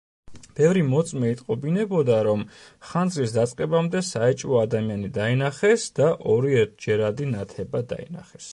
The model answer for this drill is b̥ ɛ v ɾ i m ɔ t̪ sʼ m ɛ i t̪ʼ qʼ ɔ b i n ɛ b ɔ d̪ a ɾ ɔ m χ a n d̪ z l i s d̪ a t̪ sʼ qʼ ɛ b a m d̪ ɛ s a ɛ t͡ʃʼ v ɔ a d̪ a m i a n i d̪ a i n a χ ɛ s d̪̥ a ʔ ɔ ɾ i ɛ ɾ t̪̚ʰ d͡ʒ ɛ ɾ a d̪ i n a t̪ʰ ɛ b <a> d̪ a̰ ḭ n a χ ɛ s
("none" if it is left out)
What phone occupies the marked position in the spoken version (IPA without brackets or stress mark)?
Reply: a